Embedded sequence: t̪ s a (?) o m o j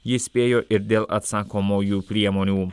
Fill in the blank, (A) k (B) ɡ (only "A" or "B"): A